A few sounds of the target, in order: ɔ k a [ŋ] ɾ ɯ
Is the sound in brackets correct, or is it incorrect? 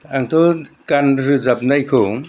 incorrect